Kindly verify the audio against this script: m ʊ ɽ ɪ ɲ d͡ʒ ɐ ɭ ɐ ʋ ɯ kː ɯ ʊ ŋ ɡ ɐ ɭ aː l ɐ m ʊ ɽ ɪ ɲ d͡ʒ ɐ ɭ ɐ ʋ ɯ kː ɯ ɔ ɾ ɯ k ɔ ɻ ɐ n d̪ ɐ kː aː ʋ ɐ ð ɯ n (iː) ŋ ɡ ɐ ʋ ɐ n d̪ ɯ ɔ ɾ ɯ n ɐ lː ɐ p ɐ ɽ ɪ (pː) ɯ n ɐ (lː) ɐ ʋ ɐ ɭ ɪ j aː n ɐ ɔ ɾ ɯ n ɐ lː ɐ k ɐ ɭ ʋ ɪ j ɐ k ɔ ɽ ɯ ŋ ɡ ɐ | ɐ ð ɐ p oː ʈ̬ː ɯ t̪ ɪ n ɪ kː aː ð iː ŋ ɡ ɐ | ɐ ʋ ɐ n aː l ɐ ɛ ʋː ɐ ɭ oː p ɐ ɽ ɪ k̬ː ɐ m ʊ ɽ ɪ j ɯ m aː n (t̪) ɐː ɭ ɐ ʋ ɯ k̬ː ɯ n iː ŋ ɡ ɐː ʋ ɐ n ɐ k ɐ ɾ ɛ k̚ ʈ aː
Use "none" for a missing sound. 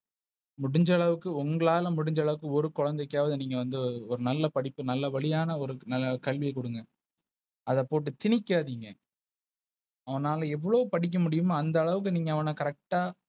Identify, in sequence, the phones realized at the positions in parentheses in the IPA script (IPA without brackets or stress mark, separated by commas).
iː, pː, lː, d̪